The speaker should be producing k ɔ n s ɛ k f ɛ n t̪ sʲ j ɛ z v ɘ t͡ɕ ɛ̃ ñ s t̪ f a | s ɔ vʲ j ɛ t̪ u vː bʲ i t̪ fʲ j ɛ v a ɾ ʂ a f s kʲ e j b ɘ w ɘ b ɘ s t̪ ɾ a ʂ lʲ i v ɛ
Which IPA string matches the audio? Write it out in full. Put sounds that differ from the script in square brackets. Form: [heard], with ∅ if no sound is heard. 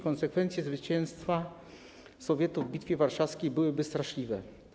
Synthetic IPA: k ɔ n s ɛ k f ɛ n t̪ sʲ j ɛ z v ɘ t͡ɕ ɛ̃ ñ s t̪ f a | s ɔ vʲ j ɛ t̪ u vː bʲ i t̪ fʲ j ɛ v a ɾ ʂ a f s kʲ e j b ɘ w ɘ b ɘ s t̪ ɾ a ʂ lʲ i v ɛ